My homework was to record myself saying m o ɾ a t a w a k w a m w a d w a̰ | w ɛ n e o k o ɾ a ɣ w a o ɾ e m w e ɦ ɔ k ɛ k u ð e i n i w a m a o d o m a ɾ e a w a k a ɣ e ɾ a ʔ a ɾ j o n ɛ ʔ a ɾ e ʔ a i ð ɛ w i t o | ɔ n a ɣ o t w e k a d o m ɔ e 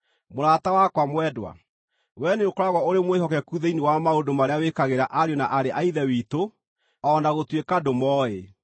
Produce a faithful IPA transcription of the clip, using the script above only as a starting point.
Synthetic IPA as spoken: m o ɾ a t a w a k w a m w ɛ d w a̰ | w ɛ n e o k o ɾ a ɣ w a o ɾ e m w e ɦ ɔ k ɛ k u ð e i n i w a m a o d o m a ɾ e a w e k a ɣ e ɾ a ʔ a ɾ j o n a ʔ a ɾ e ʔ a i ð ɛ w i t o | ɔ n a ɣ o t w e k a d o m ɔ e